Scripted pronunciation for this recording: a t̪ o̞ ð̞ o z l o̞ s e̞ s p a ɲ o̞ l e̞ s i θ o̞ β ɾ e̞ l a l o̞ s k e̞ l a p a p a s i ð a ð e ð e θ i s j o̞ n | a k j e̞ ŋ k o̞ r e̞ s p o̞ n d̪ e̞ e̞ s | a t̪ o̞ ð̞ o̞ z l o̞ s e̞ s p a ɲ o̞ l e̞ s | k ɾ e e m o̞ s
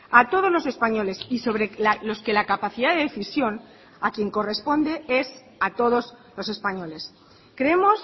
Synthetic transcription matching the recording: a t̪ o̞ ð̞ o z l o̞ s e̞ s p a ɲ o̞ l e̞ s i s o̞ β ɾ e̞ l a l o̞ s k e̞ l a k a p a θ i ð a ð e ð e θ i s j o̞ n | a k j e̞ ŋ k o̞ r e̞ s p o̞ n d̪ e̞ e̞ s | a t̪ o̞ ð̞ o̞ z l o̞ s e̞ s p a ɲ o̞ l e̞ s | k ɾ e e m o̞ s